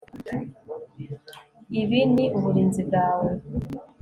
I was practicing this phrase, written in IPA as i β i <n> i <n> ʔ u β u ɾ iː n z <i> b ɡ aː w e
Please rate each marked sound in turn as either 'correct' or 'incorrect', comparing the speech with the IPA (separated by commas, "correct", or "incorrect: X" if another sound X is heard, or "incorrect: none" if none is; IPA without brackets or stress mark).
correct, incorrect: none, correct